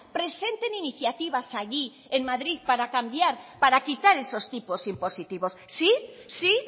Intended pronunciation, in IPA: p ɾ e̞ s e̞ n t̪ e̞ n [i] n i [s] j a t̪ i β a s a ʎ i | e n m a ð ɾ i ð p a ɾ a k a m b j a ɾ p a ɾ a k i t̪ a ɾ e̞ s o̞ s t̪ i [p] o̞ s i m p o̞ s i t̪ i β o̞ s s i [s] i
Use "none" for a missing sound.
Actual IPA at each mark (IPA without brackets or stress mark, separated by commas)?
i, θ, p, s